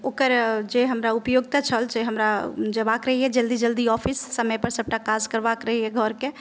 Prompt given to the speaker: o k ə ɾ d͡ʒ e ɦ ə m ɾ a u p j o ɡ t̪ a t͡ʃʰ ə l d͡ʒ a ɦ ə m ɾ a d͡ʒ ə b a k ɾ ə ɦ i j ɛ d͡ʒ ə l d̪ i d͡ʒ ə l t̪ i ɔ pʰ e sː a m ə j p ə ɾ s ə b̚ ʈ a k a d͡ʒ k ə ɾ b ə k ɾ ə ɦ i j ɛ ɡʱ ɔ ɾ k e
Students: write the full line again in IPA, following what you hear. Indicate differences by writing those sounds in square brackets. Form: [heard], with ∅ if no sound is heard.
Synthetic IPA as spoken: o k ə ɾ d͡ʒ e ɦ ə m ɾ a u p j o ɡ t̪ a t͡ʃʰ ə l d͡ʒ [e] ɦ ə m ɾ a d͡ʒ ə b a k ɾ ə ɦ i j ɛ d͡ʒ ə l d̪ i d͡ʒ ə l [d̪] i ɔ pʰ [i] sː [ə] m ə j p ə ɾ s ə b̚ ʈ a k a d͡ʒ k ə ɾ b [a] k ɾ ə ɦ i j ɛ ɡʱ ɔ ɾ k e